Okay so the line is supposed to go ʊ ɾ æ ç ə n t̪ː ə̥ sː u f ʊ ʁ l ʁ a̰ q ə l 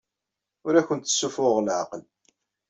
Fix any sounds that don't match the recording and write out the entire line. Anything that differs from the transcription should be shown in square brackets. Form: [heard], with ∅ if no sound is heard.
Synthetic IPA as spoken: ʊ ɾ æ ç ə n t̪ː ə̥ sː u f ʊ ʁ l [ʕ] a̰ q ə l